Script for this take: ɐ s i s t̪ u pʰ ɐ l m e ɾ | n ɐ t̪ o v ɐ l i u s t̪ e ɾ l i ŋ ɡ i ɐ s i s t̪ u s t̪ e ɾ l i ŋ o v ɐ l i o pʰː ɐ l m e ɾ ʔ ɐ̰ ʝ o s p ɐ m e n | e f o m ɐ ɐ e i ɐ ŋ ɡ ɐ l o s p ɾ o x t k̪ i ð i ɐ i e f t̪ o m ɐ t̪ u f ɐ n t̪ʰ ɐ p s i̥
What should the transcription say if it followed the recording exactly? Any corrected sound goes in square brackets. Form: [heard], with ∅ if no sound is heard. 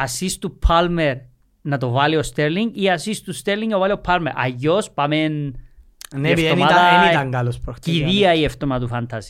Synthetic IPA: ɐ s i s t̪ u pʰ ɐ l m e ɾ | n ɐ t̪ o v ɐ l i [o] s t̪ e ɾ l i ŋ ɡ i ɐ s i s t̪ u s t̪ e ɾ l i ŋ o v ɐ l i o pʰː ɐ l m e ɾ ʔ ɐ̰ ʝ o s p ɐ m e n | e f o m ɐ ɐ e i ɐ ŋ ɡ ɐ l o s p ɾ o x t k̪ i ð i ɐ i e f t̪ o m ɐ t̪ u f ɐ n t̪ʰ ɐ [∅] s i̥